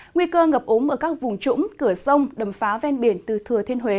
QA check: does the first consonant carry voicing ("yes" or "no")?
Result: yes